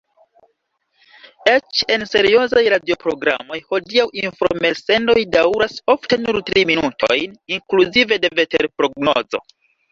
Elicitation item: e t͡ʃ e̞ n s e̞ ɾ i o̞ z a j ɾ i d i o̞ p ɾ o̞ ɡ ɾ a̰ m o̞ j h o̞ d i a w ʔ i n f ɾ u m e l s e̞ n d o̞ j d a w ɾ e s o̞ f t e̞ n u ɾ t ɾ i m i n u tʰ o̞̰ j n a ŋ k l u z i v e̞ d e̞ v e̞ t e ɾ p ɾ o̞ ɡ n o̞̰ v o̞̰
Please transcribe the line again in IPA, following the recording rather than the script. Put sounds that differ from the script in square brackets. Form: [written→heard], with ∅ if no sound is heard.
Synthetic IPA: e t͡ʃ e̞ n s e̞ ɾ i o̞ z a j ɾ [i→a] d i o̞ p ɾ o̞ ɡ ɾ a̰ m o̞ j h o̞ d i a w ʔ i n f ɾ [u→o] m e l s e̞ n d o̞ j d a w ɾ [e→a] s o̞ f t e̞ n u ɾ t ɾ i m i n u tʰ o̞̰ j n [a→i] ŋ k l u z i v e̞ d e̞ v e̞ t e ɾ p ɾ o̞ ɡ n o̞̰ [v→z] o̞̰